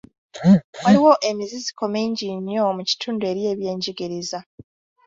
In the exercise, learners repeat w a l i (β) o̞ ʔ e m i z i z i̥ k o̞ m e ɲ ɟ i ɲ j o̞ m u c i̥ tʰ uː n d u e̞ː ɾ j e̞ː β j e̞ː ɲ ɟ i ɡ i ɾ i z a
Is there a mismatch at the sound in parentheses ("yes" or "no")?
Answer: yes